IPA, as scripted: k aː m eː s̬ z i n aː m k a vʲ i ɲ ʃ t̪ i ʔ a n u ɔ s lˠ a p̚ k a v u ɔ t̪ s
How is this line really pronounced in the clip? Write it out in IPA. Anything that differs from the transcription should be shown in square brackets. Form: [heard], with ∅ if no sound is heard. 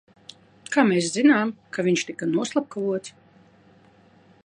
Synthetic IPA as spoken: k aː m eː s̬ z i n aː m k a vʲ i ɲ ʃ t̪ i [k] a n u ɔ s lˠ a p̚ k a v u ɔ t̪ s